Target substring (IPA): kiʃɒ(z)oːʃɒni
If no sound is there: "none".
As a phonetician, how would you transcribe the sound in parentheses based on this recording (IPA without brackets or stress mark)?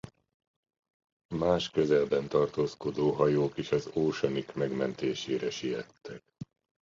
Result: z